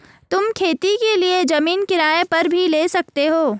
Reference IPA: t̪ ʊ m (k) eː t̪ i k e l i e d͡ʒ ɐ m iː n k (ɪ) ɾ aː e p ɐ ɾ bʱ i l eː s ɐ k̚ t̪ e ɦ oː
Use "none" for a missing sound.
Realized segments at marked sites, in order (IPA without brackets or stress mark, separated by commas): kʰ, ɪ